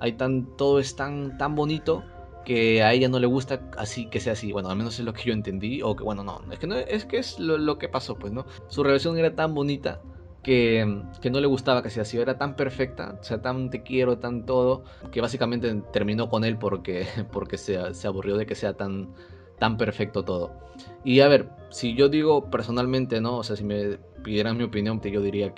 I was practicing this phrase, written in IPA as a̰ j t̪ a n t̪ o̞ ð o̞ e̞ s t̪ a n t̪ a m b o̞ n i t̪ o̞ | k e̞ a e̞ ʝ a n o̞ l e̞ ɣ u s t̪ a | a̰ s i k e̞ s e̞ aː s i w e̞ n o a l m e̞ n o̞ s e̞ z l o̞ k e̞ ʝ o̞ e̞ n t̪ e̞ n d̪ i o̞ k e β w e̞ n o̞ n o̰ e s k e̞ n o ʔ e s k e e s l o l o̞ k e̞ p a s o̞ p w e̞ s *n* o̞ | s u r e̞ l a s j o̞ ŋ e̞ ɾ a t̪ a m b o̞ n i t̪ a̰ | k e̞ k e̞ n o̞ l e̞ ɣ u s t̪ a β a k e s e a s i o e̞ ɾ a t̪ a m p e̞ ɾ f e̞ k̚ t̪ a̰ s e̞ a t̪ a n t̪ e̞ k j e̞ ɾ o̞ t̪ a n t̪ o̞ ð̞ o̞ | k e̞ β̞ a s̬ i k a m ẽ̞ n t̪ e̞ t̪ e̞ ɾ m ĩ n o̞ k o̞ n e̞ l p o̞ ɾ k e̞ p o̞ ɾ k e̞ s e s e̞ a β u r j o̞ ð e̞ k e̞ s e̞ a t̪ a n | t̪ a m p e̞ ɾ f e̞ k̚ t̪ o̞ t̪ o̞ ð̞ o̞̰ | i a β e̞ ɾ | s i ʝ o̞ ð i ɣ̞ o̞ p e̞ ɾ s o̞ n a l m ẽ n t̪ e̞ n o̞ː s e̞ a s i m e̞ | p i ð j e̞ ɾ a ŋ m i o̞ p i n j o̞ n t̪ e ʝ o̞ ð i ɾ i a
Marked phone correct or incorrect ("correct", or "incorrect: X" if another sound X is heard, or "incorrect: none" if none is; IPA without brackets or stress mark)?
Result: correct